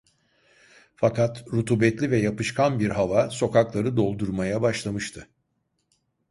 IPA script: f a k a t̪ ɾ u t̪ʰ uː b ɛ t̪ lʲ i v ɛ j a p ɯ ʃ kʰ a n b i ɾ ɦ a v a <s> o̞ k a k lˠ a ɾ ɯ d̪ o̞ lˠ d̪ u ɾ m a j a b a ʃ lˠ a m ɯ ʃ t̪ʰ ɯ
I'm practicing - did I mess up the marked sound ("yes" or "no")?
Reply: no